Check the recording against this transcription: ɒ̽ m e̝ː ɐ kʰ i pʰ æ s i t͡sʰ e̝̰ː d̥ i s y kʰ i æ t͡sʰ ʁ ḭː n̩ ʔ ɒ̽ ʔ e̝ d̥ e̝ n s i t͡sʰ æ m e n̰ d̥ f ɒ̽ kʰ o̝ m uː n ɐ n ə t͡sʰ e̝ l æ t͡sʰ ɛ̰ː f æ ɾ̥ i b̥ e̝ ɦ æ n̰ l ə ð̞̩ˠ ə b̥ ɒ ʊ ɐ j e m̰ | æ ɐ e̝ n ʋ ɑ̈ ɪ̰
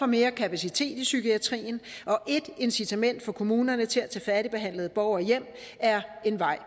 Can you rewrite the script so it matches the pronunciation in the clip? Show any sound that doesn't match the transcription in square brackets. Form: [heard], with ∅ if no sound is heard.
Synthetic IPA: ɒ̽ m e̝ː ɐ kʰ [æ] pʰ æ s i t͡sʰ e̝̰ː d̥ i s y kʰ i æ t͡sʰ ʁ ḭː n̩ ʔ ɒ̽ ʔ e̝ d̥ e̝ n s i t͡sʰ æ m e n̰ d̥ f ɒ̽ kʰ o̝ m uː n ɐ n ə t͡sʰ e̝ l æ t͡sʰ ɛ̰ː f æ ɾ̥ i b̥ e̝ ɦ æ n̰ l ə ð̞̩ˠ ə b̥ ɒ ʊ ɐ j e m̰ | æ ɐ e̝ n ʋ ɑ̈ ɪ̰

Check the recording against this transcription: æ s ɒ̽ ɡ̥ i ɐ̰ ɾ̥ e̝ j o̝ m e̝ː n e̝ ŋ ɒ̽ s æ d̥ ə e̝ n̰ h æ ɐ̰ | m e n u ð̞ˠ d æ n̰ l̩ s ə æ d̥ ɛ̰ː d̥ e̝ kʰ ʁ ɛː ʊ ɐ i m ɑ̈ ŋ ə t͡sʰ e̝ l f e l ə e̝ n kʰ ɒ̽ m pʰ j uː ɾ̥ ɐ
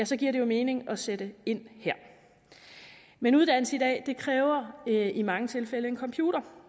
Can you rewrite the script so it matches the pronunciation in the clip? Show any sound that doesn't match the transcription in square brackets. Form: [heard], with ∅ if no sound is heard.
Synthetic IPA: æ s ɒ̽ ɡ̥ i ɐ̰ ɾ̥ e̝ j o̝ m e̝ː n e̝ ŋ ɒ̽ s [e] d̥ ə e̝ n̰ h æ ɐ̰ | m e n u ð̞ˠ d æ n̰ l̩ s ə [i] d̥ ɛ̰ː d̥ e̝ kʰ ʁ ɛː ʊ ɐ i m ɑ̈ ŋ ə t͡sʰ e̝ l f e l ə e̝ n kʰ ɒ̽ m pʰ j uː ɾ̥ ɐ

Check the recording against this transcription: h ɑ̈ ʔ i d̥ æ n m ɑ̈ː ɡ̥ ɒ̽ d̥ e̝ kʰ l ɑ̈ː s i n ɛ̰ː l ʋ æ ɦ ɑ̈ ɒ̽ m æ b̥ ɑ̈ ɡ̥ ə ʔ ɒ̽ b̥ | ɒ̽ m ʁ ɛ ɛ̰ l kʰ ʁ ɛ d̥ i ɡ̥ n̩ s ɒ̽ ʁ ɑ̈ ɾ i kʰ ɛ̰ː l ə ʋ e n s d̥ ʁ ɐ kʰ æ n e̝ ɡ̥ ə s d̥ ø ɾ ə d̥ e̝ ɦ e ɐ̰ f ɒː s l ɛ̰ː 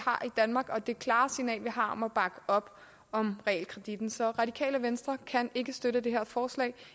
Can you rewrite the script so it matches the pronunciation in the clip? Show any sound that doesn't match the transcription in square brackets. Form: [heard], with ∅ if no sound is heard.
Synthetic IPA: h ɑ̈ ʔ i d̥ æ n m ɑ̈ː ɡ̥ ɒ̽ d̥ e̝ kʰ l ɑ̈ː s i n ɛ̰ː l ʋ [i] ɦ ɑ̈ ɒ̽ m æ b̥ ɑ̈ ɡ̥ ə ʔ ɒ̽ b̥ | ɒ̽ m ʁ ɛ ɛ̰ l kʰ ʁ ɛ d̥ i [d̥] n̩ s ɒ̽ ʁ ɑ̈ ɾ i kʰ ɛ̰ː l ə ʋ e n s d̥ ʁ ɐ kʰ æ n e̝ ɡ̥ ə s d̥ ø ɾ ə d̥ e̝ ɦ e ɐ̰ f ɒː s l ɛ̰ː

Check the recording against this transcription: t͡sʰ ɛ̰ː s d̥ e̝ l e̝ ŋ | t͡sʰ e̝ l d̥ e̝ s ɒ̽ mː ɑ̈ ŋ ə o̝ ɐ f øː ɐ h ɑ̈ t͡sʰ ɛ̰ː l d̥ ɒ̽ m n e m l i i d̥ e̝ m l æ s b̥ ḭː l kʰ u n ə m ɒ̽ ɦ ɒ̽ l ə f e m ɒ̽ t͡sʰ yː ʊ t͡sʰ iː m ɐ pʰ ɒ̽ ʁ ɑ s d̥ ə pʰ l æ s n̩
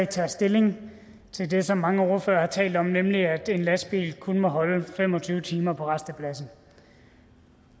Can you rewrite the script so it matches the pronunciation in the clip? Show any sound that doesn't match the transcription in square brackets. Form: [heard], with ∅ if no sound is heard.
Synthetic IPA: t͡sʰ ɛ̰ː s d̥ e̝ l e̝ ŋ | t͡sʰ e̝ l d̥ e̝ s ɒ̽ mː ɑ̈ ŋ ə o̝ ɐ f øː ɐ h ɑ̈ t͡sʰ ɛ̰ː l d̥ ɒ̽ m n e m l i [æ] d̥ e̝ [n] l æ s b̥ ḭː l kʰ u n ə m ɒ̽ ɦ ɒ̽ l ə f e m ɒ̽ t͡sʰ yː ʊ t͡sʰ iː m ɐ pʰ ɒ̽ ʁ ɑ s d̥ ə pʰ l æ s n̩

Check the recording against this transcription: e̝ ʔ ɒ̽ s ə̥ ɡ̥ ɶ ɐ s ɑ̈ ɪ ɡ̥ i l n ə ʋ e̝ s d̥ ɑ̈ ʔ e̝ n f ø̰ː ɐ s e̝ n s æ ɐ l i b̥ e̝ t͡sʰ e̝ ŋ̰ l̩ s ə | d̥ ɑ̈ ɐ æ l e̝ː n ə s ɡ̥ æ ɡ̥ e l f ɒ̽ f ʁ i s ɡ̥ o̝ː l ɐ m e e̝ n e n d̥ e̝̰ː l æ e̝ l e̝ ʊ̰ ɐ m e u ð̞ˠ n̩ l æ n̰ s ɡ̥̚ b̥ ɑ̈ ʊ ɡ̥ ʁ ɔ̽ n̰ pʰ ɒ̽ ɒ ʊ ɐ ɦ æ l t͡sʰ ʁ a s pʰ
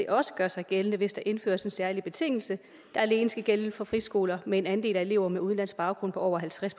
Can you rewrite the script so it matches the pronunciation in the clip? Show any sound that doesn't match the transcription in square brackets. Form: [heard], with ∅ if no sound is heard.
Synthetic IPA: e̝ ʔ ɒ̽ s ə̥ ɡ̥ ɶ ɐ s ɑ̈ ɪ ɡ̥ [e] l n ə ʋ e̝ s d̥ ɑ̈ ʔ e̝ n f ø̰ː ɐ s e̝ n s æ ɐ l i b̥ e̝ t͡sʰ e̝ ŋ̰ l̩ s ə | d̥ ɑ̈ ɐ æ l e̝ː n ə s ɡ̥ æ ɡ̥ e l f ɒ̽ f ʁ i s ɡ̥ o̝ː l ɐ m e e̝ n [æ] n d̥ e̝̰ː l æ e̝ l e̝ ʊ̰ ɐ m e u ð̞ˠ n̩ l æ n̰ s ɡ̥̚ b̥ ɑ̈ ʊ ɡ̥ ʁ ɔ̽ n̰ pʰ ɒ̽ ɒ ʊ ɐ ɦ æ l t͡sʰ ʁ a s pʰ

